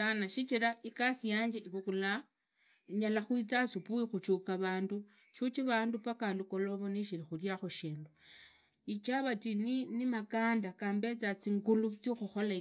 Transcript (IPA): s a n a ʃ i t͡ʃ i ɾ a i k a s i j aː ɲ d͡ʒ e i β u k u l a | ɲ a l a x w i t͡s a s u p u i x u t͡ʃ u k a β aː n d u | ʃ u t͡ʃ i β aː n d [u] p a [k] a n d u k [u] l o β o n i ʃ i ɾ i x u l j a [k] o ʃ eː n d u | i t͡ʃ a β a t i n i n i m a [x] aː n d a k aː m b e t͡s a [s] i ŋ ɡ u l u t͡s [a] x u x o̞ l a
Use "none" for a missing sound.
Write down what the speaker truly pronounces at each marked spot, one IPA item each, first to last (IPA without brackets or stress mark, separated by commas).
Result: u, k, o, x, k, t͡s, i